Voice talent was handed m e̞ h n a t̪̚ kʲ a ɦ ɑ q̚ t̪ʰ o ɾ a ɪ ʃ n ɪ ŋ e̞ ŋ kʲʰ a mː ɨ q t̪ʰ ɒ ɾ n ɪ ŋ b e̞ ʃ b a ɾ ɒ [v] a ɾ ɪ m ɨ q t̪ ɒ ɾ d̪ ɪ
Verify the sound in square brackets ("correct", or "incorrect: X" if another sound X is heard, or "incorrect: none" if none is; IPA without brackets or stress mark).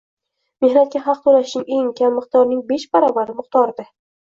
incorrect: b